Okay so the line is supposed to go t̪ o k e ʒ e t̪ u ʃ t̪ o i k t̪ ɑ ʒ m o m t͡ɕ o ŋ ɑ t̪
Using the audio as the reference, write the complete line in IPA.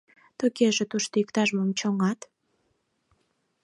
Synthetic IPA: t̪ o k e ʒ e t̪ u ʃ t̪ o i k t̪ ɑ ʒ m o m t͡ɕ o ŋ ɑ t̪